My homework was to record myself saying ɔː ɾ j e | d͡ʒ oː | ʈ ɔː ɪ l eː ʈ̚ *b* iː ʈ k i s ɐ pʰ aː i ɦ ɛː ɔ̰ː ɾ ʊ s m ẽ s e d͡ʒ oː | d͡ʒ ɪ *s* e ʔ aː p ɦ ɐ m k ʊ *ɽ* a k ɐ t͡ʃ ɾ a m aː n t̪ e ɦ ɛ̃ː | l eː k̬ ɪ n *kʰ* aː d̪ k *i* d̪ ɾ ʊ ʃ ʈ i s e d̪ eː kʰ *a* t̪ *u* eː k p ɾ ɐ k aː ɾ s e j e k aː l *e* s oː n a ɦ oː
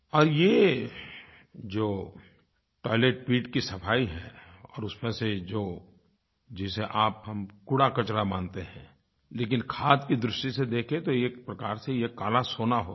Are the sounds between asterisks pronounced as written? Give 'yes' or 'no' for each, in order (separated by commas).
no, yes, yes, yes, yes, no, no, no